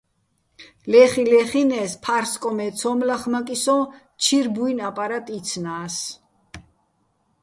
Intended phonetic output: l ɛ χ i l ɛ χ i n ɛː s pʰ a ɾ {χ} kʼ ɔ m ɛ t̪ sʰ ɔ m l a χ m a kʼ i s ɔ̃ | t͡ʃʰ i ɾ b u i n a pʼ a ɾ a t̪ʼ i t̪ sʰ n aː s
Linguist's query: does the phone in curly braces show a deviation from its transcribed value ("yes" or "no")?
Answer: yes